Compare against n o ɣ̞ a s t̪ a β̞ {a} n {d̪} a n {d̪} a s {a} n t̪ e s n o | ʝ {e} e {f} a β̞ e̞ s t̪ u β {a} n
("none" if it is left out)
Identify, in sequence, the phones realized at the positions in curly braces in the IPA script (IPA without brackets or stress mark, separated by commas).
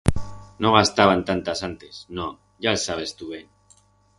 a, t̪, t̪, a, a, s, e